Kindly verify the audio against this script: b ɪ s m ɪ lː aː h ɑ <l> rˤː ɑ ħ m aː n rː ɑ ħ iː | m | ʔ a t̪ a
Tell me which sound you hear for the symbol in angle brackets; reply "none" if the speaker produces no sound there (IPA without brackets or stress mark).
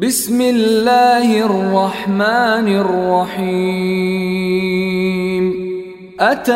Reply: r